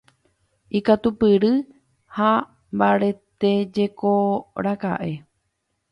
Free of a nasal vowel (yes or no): yes